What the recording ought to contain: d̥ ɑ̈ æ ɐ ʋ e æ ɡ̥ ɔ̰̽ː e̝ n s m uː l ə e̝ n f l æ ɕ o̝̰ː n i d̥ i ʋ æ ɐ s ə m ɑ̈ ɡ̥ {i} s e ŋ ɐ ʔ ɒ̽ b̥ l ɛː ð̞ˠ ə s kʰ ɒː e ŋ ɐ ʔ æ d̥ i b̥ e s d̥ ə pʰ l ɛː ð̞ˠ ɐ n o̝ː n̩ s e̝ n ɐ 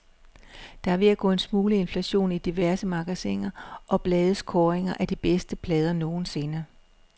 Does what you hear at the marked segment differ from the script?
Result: yes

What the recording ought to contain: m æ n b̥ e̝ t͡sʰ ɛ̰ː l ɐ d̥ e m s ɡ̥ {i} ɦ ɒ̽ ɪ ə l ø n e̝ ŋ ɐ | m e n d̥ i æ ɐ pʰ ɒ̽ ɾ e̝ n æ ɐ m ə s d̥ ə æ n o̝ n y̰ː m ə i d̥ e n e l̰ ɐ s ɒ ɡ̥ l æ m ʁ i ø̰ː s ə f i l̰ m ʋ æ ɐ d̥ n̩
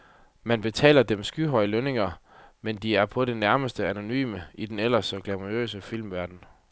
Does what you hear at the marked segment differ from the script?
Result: yes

